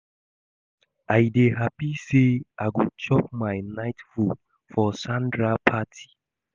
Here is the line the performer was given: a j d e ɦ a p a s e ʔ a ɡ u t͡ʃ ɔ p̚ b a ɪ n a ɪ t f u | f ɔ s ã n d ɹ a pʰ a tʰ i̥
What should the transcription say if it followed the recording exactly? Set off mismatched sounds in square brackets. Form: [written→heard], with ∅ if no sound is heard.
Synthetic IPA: a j d e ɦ a p [a→i] s e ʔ a ɡ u t͡ʃ ɔ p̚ [b→m] a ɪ n a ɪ t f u | f ɔ s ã n d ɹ a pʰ a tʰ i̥